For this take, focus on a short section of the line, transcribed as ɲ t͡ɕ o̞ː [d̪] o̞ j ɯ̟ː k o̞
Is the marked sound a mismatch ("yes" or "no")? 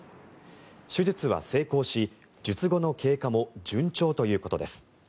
yes